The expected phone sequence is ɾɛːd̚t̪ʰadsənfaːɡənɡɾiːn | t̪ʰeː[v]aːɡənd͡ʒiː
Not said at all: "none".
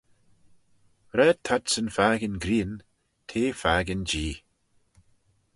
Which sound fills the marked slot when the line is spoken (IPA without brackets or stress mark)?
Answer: f